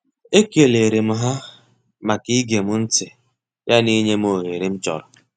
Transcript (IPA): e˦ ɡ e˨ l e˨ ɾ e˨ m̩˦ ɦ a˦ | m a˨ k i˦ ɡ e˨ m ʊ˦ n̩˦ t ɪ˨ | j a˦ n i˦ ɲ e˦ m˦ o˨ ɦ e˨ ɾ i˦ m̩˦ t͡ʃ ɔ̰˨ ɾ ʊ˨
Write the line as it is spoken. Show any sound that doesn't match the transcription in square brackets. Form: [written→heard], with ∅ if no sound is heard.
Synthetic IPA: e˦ [ɡ→k] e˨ l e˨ ɾ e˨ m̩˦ ɦ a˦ | m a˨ k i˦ ɡ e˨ m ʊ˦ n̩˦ t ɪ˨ | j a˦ n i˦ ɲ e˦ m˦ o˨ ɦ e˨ ɾ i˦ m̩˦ t͡ʃ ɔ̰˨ ɾ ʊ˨